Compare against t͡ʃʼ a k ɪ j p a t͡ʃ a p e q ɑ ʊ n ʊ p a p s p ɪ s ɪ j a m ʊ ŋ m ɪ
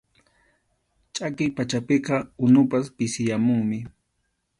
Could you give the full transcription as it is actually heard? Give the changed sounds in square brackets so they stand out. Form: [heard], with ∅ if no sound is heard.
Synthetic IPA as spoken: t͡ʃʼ a k ɪ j p a t͡ʃ a p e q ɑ ʊ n ʊ p a [∅] s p ɪ s ɪ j a m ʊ ŋ m ɪ